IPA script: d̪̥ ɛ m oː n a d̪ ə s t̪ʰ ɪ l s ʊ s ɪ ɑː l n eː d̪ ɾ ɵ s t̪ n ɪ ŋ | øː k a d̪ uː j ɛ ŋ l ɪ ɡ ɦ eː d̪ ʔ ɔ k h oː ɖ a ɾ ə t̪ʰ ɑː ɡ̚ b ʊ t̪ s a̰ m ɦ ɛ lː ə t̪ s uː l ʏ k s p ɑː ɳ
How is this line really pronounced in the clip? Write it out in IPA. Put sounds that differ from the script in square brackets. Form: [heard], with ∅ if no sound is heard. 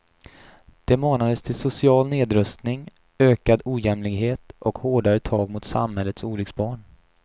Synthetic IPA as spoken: d̪̥ ɛ m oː n a d̪ ə s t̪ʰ ɪ l s ʊ s ɪ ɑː l n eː d̪ ɾ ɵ s t̪ n ɪ ŋ | øː k a d̪ uː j ɛ [m] l ɪ ɡ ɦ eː [t̪] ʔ ɔ k h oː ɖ a ɾ ə t̪ʰ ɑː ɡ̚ [m] ʊ t̪ s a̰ m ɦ ɛ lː ə t̪ s uː l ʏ k s [b] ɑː ɳ